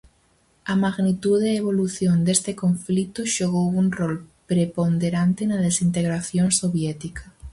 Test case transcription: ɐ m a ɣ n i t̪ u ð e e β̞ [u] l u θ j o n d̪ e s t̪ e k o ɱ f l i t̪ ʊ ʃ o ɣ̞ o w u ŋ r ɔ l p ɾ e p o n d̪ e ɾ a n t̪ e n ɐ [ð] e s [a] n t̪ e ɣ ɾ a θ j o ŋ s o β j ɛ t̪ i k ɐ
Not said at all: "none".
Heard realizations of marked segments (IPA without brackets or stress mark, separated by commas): o, ð, i